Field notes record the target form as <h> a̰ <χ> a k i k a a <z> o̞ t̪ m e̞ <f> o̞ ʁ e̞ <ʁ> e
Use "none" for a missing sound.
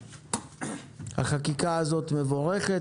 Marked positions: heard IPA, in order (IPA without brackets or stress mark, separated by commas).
h, χ, z, v, χ